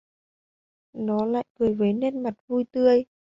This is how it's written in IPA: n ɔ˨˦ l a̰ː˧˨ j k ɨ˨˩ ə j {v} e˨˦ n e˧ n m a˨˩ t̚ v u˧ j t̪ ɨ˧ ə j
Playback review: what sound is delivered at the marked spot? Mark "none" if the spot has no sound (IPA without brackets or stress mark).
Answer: v